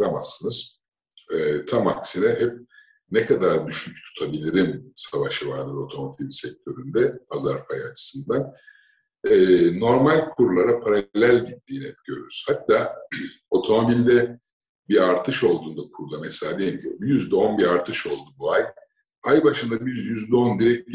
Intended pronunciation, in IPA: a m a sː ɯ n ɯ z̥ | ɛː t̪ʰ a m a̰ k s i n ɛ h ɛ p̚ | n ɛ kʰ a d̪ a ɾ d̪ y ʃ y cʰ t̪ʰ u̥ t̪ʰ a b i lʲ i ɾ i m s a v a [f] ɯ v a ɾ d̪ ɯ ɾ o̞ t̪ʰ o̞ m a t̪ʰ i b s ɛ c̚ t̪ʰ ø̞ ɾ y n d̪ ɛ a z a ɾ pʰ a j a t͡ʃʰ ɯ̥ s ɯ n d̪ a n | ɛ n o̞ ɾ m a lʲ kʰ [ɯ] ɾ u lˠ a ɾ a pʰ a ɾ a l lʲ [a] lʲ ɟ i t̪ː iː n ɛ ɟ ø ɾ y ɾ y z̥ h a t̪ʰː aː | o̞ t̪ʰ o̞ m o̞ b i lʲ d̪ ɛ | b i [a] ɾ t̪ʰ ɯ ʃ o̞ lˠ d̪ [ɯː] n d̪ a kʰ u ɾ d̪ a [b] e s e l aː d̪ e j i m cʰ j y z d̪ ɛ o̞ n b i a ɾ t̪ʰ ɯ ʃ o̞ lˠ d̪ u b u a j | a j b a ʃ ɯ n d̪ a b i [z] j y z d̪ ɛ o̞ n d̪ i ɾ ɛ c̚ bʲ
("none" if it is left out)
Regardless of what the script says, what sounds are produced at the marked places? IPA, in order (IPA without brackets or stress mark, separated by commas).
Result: ʃ, u, æ, a, uː, m, z